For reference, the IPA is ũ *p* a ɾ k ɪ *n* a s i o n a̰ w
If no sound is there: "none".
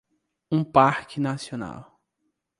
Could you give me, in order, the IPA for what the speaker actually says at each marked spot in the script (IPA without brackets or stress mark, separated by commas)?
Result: p, n